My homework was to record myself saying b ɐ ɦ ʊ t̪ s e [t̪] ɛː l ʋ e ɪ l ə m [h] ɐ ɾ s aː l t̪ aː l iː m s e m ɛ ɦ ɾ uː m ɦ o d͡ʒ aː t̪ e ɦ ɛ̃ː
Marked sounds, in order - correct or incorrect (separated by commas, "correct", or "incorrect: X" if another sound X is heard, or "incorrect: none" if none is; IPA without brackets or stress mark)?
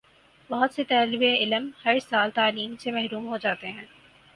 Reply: correct, correct